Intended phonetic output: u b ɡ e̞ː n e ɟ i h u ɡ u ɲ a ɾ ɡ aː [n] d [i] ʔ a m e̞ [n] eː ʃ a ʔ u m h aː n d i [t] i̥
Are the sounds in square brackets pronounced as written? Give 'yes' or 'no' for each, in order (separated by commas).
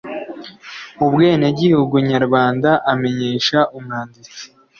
yes, no, no, no